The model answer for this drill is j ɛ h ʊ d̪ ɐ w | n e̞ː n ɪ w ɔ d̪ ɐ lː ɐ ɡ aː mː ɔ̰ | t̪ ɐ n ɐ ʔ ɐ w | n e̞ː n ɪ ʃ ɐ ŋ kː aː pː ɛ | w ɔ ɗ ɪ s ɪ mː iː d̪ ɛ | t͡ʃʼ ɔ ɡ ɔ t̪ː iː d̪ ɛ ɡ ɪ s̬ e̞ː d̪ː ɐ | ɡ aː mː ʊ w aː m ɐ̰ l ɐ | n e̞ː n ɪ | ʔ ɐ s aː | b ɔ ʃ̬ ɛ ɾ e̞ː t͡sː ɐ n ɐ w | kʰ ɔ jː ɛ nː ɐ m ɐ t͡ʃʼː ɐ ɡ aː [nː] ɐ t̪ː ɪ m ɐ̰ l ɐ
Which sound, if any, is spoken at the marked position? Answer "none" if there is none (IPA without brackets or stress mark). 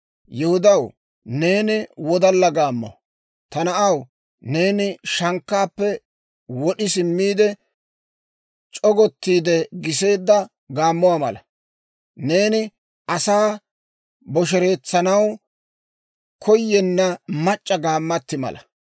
mː